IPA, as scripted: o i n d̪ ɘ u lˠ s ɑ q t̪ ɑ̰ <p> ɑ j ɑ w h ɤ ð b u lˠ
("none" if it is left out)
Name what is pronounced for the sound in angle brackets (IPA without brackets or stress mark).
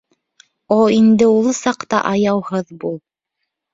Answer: ʔ